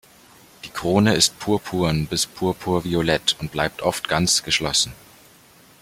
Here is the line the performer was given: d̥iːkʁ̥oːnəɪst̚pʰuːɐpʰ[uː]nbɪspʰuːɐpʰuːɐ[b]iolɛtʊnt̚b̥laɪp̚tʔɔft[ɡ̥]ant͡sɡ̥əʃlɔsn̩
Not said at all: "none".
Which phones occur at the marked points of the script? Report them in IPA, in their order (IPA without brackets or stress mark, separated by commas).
uː, v, ɡ̥